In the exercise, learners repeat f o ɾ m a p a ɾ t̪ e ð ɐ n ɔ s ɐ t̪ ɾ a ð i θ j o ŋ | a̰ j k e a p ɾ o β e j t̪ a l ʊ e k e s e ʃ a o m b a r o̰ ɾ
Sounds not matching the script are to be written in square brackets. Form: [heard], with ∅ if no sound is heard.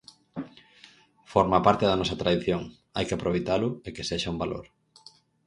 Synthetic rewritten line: f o ɾ m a p a ɾ t̪ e ð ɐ n ɔ s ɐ t̪ ɾ a ð i θ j o ŋ | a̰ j k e a p ɾ o β e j t̪ a l ʊ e k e s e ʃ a [u] m b a [l] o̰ ɾ